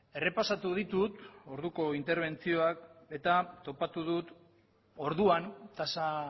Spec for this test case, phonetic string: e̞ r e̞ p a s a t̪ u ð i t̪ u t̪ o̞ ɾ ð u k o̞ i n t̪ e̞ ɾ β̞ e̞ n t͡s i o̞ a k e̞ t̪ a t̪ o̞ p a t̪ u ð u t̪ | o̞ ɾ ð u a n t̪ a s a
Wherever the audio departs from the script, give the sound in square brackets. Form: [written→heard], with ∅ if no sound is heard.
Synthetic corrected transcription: e̞ r e̞ p a s a t̪ u ð i t̪ u t̪ o̞ ɾ ð u k o̞ i n t̪ e̞ ɾ β̞ e̞ n t͡s i o̞ a k e̞ t̪ a t̪ o̞ p a t̪ u ð u t̪ | o̞ ɾ ð u a n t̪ a s a